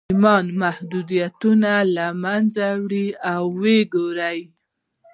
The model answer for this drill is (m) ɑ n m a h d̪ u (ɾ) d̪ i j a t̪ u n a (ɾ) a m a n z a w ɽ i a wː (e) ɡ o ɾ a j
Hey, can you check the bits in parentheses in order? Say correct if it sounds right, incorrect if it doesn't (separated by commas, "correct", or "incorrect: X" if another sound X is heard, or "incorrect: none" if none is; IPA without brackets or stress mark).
correct, incorrect: none, incorrect: l, correct